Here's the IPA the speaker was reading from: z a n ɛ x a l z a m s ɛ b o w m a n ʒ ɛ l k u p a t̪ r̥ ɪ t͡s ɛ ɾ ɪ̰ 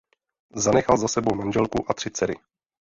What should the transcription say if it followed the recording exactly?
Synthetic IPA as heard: z a n ɛ x a l z a s ɛ b o w m a n ʒ ɛ l k u ʔ a t̪ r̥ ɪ t͡s ɛ ɾ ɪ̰